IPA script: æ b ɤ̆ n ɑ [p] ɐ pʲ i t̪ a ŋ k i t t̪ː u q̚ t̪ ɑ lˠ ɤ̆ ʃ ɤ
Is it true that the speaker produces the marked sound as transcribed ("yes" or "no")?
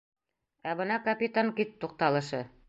no